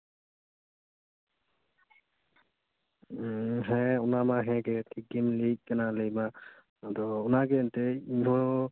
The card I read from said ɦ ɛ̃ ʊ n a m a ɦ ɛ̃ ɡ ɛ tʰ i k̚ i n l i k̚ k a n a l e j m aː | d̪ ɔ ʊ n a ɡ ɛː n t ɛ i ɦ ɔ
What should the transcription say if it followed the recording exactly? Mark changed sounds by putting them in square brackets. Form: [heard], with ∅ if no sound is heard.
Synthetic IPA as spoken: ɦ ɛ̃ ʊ n a m a ɦ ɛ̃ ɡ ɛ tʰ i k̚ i n l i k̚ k a n a l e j m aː | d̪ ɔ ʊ n a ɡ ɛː n t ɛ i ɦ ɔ